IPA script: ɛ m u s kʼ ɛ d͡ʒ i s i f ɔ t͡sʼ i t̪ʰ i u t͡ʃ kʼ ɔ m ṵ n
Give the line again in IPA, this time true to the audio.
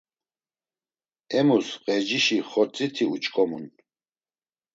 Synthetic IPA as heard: ɛ m u s qʼ ɛ d͡ʒ i ʃ i χ ɔ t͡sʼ i t̪ʰ i u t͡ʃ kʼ ɔ m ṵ n